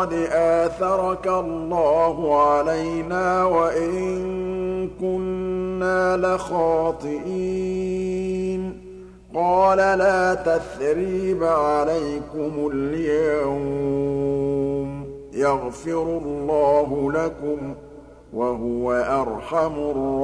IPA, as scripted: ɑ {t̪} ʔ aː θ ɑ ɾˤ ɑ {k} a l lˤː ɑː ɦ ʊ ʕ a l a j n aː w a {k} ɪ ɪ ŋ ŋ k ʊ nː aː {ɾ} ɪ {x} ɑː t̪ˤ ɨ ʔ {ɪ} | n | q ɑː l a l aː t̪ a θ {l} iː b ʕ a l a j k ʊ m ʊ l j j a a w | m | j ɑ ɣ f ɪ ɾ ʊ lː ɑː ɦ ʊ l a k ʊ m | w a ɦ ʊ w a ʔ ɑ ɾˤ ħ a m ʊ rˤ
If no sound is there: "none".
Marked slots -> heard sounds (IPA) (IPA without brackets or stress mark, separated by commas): d̪, k, ʔ, l, x, i, ɾ